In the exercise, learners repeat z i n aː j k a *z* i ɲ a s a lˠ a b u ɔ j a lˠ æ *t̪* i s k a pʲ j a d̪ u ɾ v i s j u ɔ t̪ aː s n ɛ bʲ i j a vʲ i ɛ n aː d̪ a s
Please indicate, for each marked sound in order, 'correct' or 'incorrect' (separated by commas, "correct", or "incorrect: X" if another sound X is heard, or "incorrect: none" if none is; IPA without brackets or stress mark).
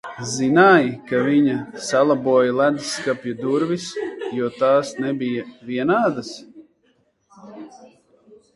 incorrect: v, incorrect: d̪